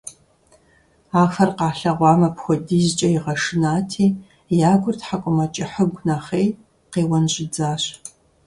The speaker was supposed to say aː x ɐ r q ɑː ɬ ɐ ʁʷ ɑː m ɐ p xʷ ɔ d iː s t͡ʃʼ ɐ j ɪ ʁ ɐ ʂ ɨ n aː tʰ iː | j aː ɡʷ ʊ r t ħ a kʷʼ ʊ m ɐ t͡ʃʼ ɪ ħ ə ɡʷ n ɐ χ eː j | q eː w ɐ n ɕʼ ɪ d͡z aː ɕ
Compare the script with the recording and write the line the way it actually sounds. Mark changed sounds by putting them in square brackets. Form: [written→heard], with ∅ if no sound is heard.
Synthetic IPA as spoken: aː x ɐ r q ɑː ɬ ɐ ʁʷ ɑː m ɐ p xʷ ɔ d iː [s→z] t͡ʃʼ ɐ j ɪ ʁ ɐ ʂ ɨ n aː tʰ iː | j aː ɡʷ ʊ r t ħ a kʷʼ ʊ m ɐ t͡ʃʼ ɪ ħ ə ɡʷ n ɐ χ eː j | q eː w ɐ n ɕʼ ɪ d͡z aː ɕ

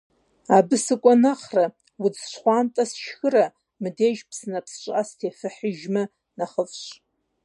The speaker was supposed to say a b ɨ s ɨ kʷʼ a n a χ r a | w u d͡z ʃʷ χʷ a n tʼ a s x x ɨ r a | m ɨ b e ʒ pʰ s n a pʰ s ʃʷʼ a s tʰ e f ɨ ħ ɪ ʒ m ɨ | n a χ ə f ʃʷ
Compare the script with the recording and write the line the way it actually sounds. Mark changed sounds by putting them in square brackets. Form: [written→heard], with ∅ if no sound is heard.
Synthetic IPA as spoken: a b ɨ s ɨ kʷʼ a n a χ r a | w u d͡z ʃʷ χʷ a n tʼ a s [x→ʃ] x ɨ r a | m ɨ [b→d] e ʒ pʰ s n a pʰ s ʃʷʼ a s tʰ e f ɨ ħ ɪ ʒ m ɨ | n a χ ə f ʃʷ

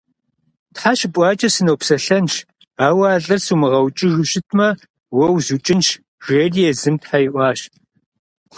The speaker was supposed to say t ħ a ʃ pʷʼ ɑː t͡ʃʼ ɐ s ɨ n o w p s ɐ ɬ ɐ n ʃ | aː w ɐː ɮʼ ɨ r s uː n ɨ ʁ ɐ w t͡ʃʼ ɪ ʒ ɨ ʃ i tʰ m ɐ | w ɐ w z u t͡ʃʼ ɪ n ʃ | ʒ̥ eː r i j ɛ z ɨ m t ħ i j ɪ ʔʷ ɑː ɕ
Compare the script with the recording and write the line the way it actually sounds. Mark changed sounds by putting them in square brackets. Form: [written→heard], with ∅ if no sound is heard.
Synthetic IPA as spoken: t ħ a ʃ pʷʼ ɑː t͡ʃʼ ɐ s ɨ n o w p s ɐ ɬ ɐ n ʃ | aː w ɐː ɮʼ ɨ r s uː [n→m] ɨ ʁ ɐ w t͡ʃʼ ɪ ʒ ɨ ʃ [i→ɪ] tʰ m ɐ | w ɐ w z u t͡ʃʼ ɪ n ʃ | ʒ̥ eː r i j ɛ z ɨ m t ħ [i→a] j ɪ ʔʷ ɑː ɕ

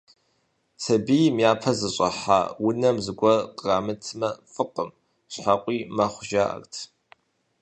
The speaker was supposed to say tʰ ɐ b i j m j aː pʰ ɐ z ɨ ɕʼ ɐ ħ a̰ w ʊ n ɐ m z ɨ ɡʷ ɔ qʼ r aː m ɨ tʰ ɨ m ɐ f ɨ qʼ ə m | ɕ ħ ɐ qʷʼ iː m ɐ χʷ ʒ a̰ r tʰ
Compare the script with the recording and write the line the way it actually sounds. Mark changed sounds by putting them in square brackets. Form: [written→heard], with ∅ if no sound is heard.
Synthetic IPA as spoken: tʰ ɐ b i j m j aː pʰ ɐ z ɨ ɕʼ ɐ ħ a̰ w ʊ n ɐ m z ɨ ɡʷ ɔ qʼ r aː m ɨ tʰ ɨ m ɐ f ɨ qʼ ə m | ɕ ħ [ɐ→a] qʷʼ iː m ɐ χʷ ʒ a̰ r tʰ

